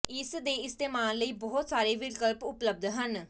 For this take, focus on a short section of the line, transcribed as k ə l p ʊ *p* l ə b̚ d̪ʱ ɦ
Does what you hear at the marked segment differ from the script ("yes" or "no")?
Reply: no